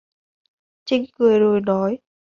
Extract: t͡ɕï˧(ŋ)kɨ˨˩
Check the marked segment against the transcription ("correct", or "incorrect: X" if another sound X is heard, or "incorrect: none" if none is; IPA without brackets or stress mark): correct